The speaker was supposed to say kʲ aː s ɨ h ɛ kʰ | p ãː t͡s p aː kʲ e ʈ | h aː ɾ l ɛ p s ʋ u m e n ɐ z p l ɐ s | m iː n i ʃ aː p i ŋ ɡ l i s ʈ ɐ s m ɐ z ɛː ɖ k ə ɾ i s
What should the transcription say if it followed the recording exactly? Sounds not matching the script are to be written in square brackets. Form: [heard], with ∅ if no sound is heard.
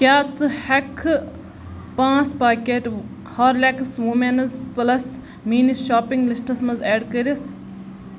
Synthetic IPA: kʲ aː [t͡s] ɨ h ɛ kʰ | p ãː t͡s p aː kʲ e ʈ | h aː ɾ l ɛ [k] s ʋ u m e n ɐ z p l ɐ s | m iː n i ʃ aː p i ŋ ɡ l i s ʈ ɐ s m ɐ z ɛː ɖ k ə ɾ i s